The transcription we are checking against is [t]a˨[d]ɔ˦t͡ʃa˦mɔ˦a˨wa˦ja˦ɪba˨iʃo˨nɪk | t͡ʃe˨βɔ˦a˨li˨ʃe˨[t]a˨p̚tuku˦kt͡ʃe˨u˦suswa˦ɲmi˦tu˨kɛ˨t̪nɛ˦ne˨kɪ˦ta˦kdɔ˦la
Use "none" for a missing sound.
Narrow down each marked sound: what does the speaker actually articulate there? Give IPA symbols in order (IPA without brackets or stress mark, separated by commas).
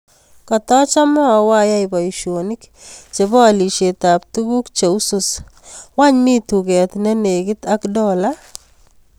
k, t, t